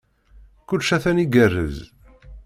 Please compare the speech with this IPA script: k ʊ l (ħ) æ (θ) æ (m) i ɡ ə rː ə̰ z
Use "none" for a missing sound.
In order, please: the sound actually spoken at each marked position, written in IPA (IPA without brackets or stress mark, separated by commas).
ʃ, θ, n